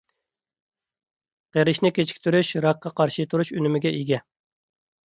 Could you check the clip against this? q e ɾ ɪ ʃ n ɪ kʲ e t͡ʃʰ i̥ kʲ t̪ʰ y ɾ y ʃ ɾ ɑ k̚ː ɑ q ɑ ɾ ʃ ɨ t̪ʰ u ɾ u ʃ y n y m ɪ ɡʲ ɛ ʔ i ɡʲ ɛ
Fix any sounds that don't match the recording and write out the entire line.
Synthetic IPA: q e ɾ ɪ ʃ n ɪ kʲ e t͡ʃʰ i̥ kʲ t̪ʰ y ɾ y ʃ ɾ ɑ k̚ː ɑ q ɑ ɾ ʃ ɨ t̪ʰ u ɾ u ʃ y n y m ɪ ɡʲ ɛ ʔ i ɡʲ ɛ